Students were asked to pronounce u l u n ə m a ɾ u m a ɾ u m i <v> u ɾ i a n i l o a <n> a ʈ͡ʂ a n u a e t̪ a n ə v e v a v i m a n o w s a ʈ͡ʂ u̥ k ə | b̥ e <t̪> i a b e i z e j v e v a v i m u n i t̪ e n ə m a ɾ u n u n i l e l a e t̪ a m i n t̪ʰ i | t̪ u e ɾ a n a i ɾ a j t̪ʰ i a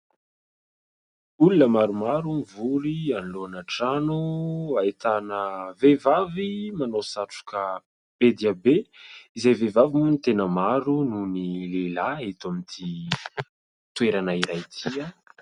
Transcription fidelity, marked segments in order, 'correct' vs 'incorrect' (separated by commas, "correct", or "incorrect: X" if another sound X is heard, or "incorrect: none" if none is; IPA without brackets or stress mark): correct, correct, incorrect: d̪